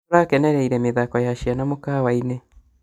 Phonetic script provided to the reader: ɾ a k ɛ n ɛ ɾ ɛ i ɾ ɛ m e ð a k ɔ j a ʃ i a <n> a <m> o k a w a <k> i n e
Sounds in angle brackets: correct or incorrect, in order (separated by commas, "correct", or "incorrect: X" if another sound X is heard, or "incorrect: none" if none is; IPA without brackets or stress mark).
correct, correct, incorrect: none